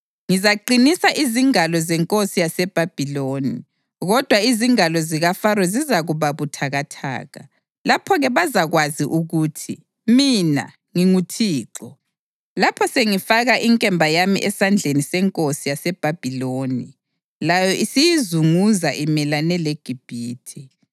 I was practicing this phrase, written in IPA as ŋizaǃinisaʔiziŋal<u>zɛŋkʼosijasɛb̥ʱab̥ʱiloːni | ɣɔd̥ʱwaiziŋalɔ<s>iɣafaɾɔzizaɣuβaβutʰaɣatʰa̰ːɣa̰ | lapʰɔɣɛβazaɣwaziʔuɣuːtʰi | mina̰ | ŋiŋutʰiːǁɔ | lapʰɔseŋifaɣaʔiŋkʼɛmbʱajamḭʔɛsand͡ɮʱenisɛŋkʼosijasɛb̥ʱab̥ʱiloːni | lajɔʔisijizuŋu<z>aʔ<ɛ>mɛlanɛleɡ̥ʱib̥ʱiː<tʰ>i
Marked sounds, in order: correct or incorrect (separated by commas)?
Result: incorrect, incorrect, correct, incorrect, correct